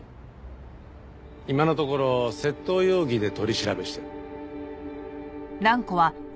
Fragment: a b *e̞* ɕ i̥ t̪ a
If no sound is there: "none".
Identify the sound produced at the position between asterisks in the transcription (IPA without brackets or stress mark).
e̞